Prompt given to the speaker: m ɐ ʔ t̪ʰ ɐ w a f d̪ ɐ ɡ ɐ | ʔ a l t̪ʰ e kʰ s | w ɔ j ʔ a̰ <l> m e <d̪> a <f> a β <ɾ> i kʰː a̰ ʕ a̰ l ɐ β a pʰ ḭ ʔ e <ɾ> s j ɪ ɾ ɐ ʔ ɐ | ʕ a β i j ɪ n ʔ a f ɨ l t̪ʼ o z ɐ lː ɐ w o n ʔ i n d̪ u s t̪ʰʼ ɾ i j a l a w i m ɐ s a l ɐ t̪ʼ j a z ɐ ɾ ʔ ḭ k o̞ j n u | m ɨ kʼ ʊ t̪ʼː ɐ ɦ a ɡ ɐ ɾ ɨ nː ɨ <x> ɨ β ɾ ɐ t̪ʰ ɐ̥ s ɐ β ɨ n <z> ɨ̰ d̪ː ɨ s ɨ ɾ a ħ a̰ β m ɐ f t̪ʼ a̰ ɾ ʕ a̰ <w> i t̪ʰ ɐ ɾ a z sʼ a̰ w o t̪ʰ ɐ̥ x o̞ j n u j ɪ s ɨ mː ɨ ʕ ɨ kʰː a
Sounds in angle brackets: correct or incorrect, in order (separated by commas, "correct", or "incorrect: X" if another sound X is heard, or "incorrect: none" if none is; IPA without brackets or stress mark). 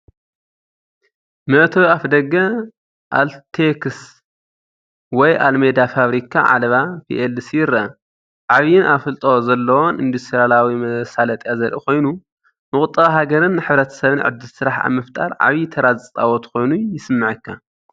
correct, correct, correct, correct, incorrect: l, incorrect: ħ, incorrect: ʕ, incorrect: β